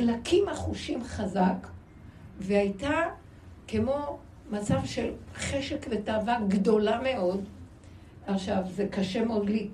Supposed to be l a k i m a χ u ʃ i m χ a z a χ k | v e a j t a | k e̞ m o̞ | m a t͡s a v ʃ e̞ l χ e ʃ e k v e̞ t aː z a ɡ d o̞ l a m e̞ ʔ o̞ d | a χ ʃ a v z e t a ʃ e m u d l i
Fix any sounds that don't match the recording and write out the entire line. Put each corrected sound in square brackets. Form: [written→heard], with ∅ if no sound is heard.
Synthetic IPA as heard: l a k i m a χ u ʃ i m χ a z a [χ→∅] k | v e a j t a | k e̞ m o̞ | m a t͡s a v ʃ e̞ l χ e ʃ e k v e̞ t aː [z→v] a ɡ d o̞ l a m e̞ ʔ o̞ d | a χ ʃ a v z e [t→k] a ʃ e m [u→o] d l i